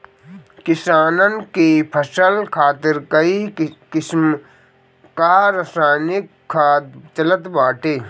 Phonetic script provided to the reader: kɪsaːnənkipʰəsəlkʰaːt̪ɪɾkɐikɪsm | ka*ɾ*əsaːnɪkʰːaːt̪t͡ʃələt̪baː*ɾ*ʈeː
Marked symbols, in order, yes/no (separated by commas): yes, no